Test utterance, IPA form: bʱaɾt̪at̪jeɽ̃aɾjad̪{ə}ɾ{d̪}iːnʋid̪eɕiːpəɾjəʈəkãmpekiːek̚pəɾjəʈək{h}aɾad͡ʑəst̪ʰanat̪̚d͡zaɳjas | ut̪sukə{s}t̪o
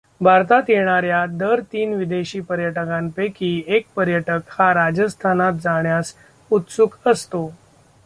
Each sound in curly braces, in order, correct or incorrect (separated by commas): correct, incorrect, correct, correct